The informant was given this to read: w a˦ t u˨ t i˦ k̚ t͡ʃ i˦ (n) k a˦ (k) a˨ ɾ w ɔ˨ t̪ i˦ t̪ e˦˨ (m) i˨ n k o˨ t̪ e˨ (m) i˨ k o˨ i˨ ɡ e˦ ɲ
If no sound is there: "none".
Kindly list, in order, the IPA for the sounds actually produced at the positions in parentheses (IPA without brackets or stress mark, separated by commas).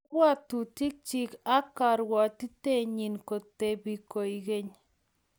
none, k, ɲ, b